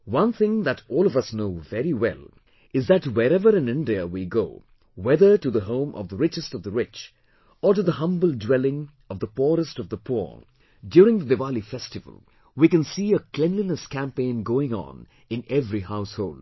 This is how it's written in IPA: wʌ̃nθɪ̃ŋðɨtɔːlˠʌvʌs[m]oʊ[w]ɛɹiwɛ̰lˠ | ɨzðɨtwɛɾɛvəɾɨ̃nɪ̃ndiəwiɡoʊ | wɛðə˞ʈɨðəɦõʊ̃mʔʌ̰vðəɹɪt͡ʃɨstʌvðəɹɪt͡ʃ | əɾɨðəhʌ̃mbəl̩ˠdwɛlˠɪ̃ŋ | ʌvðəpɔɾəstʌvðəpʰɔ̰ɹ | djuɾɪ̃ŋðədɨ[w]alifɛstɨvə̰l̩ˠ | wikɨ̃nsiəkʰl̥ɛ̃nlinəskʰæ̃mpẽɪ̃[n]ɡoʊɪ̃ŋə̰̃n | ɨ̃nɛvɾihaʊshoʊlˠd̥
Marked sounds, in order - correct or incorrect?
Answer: incorrect: n, incorrect: v, incorrect: v, correct

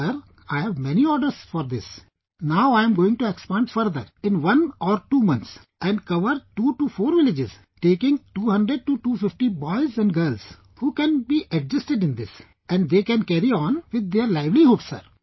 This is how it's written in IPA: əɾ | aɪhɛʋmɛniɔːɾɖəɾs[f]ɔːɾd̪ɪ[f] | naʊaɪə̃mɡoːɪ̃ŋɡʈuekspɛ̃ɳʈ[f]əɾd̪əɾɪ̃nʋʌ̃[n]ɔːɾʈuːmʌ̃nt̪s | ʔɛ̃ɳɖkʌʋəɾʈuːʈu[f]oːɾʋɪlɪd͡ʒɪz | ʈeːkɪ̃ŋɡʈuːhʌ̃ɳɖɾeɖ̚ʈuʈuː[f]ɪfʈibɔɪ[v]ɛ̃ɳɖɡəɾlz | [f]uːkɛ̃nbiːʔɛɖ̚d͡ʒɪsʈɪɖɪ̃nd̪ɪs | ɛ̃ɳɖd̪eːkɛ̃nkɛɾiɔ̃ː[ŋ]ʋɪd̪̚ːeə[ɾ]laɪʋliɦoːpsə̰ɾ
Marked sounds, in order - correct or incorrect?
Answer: correct, incorrect: s, correct, correct, correct, correct, incorrect: z, incorrect: h, incorrect: n, correct

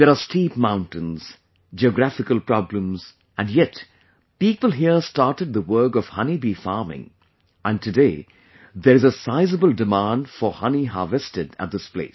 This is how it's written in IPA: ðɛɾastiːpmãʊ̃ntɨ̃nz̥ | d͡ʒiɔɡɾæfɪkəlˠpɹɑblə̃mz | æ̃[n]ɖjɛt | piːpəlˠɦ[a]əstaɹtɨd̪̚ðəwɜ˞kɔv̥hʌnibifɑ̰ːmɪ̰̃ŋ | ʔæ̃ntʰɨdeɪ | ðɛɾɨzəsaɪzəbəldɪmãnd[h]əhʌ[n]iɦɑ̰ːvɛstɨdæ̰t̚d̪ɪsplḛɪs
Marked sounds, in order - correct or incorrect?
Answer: correct, incorrect: i, incorrect: f, correct

